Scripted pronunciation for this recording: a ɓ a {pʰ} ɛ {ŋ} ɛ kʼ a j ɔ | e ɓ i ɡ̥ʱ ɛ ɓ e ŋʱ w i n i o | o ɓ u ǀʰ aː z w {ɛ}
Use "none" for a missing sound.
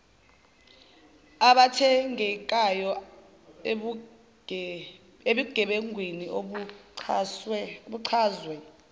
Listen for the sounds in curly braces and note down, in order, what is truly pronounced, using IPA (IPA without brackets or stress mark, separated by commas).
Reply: tʰ, ŋ, ɛ